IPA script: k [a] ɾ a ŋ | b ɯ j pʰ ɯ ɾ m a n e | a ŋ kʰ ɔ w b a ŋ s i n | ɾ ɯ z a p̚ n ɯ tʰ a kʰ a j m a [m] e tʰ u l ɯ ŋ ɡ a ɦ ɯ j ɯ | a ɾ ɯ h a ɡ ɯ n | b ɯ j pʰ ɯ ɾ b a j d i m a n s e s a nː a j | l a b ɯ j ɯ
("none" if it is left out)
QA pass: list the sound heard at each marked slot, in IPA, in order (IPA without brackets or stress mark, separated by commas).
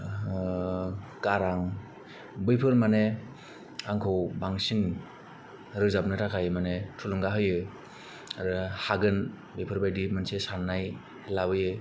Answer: a, n